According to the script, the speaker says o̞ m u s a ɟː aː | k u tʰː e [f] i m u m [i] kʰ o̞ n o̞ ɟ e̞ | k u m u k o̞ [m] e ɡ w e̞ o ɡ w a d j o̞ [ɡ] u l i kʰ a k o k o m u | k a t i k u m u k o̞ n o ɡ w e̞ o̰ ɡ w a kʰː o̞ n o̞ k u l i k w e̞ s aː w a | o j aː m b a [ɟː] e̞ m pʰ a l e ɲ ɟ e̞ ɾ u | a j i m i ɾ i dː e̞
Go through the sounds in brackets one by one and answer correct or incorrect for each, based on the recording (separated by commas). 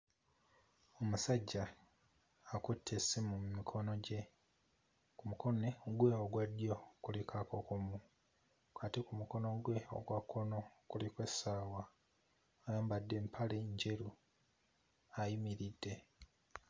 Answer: incorrect, correct, incorrect, incorrect, incorrect